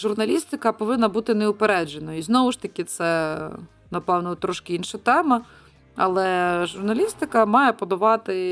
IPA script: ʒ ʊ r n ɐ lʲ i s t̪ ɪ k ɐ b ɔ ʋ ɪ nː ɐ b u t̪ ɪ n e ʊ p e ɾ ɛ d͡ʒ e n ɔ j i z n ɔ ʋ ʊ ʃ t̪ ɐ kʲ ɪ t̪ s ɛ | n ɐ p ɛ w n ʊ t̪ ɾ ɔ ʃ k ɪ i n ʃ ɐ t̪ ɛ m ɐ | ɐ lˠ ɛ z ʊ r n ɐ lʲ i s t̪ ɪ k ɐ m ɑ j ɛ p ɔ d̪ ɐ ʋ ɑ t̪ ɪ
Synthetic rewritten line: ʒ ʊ r n ɐ lʲ i s t̪ ɪ k ɐ p ɔ ʋ ɪ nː ɐ b u t̪ ɪ n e ʊ p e ɾ ɛ d͡ʒ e n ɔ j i z n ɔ ʋ ʊ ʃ t̪ ɐ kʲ ɪ t̪ s ɛ | n ɐ p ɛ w n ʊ t̪ ɾ ɔ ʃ k ɪ i n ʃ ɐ t̪ ɛ m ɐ | ɐ lˠ ɛ ʒ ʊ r n ɐ lʲ i s t̪ ɪ k ɐ m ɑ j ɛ p ɔ d̪ ɐ ʋ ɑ t̪ ɪ